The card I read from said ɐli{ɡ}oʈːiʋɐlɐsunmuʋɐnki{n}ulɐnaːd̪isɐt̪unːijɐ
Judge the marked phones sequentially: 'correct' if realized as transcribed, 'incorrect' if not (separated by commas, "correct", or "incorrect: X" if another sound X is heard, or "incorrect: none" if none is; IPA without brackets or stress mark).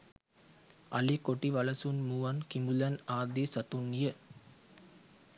incorrect: k, incorrect: m